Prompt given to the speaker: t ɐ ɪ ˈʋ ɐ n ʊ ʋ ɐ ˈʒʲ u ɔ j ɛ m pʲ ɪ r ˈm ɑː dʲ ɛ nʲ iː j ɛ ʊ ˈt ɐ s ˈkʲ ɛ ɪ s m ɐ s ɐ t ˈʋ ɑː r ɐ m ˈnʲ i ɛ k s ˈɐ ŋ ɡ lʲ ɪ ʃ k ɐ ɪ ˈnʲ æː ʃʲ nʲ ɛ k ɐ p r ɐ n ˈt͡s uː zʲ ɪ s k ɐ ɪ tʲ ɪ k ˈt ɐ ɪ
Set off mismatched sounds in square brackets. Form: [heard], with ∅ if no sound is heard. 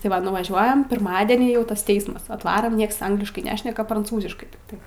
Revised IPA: t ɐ ɪ ˈʋ ɐ n ʊ ʋ ɐ ˈʒʲ u ɔ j ɛ m pʲ ɪ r ˈm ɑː dʲ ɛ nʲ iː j ɛ ʊ ˈt ɐ s [ˈtʲ] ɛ ɪ s m ɐ s ɐ t ˈʋ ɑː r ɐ m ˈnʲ i ɛ k s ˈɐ ŋ ɡ lʲ ɪ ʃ k ɐ ɪ ˈnʲ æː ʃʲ nʲ ɛ k ɐ p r ɐ n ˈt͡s uː zʲ ɪ [ʃ] k ɐ ɪ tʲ ɪ k ˈt ɐ ɪ